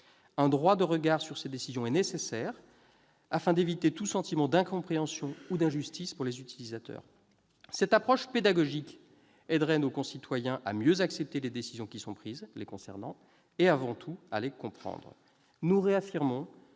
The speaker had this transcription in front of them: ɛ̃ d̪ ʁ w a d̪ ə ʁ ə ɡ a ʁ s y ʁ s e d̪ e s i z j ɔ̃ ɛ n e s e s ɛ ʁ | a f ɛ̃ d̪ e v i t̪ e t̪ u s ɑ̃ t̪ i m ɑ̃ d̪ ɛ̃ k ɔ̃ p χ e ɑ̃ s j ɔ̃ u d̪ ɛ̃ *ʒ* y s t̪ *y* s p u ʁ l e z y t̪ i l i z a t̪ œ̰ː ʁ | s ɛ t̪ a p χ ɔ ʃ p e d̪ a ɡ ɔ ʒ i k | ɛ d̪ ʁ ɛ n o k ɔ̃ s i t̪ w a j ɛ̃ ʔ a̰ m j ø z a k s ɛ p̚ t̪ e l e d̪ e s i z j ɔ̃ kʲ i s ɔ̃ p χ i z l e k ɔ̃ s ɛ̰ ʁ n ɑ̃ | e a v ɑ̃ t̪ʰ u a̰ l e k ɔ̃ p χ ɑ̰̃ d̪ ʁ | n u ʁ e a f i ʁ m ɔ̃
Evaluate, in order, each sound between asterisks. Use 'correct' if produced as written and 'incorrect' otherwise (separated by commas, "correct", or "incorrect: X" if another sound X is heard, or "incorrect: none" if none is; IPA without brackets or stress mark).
correct, incorrect: i